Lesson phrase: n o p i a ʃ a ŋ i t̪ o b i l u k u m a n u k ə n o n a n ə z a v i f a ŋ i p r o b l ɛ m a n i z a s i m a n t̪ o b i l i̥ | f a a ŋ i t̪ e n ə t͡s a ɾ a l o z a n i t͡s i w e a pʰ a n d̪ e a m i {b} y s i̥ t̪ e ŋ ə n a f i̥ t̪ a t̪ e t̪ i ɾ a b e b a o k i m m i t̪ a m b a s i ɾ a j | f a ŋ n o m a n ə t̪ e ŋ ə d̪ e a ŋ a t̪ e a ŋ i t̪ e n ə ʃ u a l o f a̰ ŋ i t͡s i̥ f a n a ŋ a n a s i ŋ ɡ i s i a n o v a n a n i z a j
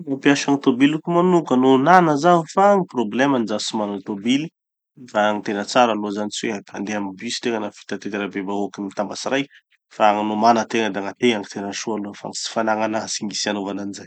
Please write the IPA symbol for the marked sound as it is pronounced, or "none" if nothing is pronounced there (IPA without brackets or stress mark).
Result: b